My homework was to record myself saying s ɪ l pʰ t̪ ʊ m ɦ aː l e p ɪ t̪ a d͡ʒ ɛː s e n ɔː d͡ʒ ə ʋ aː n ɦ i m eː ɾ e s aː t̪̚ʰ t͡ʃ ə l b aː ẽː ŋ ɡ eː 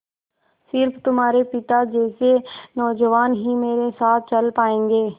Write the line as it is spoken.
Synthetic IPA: s ɪ ɾ pʰ t̪ ʊ m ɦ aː ɾ e p ɪ t̪ a d͡ʒ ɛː s e n ɔː d͡ʒ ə ʋ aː n ɦ i m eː ɾ e s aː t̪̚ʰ t͡ʃ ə l p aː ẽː ŋ ɡ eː